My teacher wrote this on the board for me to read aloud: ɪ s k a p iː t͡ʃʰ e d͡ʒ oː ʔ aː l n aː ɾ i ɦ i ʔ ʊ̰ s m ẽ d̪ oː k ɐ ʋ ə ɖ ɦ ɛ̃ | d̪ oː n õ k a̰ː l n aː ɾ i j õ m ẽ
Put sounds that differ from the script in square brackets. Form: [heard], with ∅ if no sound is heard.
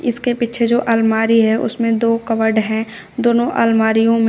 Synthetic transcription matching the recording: ɪ s k [e] p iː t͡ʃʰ e d͡ʒ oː ʔ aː l [m] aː ɾ i ɦ [ɛ] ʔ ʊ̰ s m ẽ d̪ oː k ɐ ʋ ə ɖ ɦ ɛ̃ | d̪ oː n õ [ʔ] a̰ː l [m] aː ɾ i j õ m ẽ